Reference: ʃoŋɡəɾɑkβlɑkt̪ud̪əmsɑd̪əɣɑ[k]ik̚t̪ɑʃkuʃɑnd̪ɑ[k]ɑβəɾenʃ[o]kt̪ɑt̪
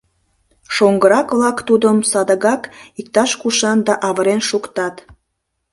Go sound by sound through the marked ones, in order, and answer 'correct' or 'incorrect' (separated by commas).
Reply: correct, incorrect, incorrect